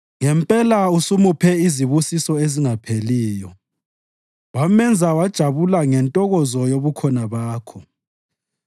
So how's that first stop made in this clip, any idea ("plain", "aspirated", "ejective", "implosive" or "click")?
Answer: ejective